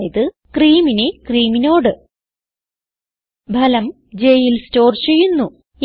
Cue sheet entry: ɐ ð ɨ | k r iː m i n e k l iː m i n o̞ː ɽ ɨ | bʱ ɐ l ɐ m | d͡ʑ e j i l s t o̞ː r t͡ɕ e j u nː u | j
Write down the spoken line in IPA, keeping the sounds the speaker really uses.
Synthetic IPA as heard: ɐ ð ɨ | k r iː m i n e k r iː m i n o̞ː ɽ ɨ | bʱ ɐ l ɐ m | d͡ʑ e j i l s t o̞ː r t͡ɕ e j u nː u | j